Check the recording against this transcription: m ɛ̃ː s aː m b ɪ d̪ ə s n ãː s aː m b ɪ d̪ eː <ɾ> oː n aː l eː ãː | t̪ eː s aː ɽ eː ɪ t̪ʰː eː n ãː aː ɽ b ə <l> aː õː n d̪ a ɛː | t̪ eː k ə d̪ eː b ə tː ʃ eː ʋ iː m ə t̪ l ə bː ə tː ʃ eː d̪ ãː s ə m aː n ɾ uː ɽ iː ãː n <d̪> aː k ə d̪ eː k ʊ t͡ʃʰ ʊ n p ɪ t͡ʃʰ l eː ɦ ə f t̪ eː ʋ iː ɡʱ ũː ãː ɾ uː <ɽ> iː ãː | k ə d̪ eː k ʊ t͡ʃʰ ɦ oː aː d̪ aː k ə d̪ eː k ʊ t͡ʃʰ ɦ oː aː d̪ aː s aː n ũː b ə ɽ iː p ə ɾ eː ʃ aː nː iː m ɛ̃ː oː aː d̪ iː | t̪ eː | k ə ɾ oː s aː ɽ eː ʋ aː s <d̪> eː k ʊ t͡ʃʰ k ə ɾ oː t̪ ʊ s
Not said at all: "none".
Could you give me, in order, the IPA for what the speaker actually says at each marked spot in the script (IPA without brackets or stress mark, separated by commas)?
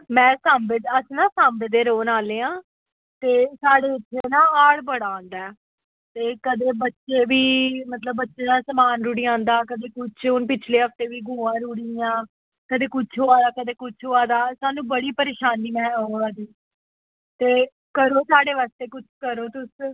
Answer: ɾ, ɽ, d̪, ɽ, t̪